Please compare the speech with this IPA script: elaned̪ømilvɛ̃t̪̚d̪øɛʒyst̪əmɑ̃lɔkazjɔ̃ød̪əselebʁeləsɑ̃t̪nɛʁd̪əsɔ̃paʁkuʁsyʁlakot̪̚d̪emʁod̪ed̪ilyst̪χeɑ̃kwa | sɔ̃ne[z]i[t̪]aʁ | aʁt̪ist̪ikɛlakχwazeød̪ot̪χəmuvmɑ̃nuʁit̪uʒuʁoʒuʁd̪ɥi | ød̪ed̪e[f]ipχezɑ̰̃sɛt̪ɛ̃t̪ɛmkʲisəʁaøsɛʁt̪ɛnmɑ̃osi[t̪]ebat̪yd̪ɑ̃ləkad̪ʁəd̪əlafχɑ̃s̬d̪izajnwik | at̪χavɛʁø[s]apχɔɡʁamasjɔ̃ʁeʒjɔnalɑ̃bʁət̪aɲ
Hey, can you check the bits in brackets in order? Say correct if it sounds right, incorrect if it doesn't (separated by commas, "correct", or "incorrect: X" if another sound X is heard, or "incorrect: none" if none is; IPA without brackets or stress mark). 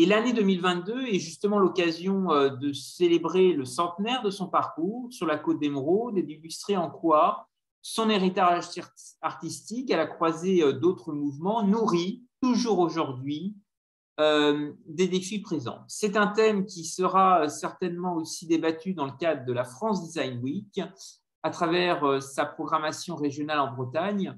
incorrect: ʁ, correct, correct, incorrect: d̪, correct